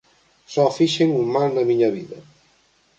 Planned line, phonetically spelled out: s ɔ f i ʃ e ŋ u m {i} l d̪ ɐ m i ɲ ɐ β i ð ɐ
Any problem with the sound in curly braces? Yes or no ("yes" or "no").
yes